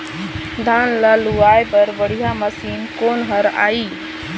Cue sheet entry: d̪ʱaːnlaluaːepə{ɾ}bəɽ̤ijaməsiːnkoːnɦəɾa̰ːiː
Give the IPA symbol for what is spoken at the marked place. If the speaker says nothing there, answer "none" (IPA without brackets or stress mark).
ɾ